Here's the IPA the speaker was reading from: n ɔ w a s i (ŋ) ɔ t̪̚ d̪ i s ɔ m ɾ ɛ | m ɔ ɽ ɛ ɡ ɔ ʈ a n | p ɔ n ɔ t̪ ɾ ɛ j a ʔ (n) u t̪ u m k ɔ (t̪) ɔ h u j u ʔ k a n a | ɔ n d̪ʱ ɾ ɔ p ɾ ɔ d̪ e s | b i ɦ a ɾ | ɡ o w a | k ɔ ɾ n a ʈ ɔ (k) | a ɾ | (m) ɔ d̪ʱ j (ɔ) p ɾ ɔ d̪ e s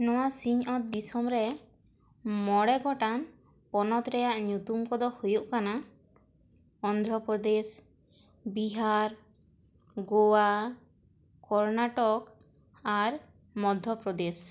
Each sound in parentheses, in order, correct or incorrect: incorrect, incorrect, incorrect, correct, correct, correct

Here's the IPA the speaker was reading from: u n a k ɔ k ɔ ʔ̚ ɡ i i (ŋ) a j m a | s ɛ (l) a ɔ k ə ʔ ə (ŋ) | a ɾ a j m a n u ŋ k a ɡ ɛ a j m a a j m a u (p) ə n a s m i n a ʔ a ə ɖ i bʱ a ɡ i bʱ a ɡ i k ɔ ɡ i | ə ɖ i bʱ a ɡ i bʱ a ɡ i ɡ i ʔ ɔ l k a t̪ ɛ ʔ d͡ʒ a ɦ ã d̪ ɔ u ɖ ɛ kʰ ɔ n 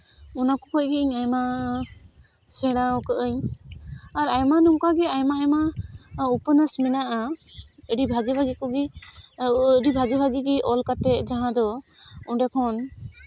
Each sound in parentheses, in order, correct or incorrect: incorrect, incorrect, incorrect, correct

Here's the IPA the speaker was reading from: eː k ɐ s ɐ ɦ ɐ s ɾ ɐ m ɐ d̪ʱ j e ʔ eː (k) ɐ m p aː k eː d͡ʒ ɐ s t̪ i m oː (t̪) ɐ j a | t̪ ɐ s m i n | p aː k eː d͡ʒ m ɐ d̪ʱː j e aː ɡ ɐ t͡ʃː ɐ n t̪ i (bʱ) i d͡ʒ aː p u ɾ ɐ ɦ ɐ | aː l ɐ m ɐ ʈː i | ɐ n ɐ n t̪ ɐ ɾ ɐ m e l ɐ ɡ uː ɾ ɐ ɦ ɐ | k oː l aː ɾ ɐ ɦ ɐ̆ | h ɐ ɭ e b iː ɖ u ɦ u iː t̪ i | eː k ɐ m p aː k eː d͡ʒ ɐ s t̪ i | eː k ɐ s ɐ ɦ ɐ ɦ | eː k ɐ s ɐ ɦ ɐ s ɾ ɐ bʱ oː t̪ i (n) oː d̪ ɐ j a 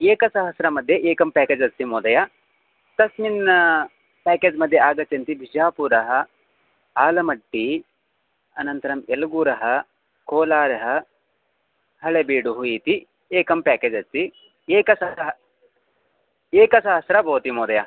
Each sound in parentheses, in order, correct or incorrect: correct, incorrect, correct, incorrect

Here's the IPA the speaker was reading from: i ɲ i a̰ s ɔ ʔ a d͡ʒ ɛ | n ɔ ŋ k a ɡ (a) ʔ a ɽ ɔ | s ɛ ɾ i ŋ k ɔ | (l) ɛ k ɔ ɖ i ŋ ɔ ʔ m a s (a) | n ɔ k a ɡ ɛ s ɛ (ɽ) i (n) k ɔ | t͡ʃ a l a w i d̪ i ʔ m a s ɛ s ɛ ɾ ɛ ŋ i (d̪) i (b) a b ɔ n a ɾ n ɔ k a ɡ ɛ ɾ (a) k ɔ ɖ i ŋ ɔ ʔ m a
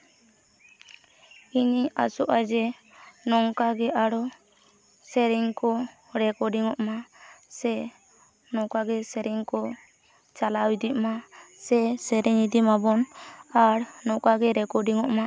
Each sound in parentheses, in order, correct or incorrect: incorrect, incorrect, incorrect, incorrect, incorrect, correct, incorrect, incorrect

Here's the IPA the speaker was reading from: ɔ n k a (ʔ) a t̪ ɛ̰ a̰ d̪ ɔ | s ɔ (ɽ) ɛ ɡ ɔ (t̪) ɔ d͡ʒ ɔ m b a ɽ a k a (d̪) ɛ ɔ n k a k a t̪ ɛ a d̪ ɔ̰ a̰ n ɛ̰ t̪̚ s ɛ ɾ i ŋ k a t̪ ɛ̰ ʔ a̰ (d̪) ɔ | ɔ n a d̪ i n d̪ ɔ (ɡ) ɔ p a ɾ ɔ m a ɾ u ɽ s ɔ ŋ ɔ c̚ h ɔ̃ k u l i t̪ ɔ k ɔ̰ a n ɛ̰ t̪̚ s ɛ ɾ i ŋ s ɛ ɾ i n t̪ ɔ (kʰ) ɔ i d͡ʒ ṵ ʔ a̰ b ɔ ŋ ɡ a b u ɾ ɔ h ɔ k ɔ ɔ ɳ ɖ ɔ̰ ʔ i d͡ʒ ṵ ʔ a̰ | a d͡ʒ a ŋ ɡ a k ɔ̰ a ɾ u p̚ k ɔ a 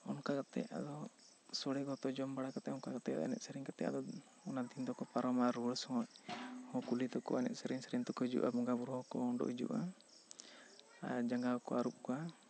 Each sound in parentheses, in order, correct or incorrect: incorrect, correct, correct, incorrect, correct, incorrect, incorrect

